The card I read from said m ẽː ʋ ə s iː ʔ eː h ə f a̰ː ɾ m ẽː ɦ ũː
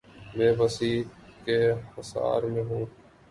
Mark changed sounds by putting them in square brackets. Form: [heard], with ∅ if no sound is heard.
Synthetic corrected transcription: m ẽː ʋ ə s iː [k] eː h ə [s] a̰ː ɾ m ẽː ɦ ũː